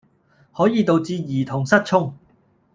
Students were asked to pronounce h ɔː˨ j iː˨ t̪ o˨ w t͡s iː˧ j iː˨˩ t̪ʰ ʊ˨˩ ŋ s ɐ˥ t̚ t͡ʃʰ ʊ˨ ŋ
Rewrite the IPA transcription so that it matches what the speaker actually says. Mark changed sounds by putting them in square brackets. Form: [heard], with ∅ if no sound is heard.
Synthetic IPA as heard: h [ɔː˨˥] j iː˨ t̪ o˨ w t͡s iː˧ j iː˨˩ t̪ʰ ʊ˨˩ ŋ s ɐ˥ t̚ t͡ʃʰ [ʊ˥] ŋ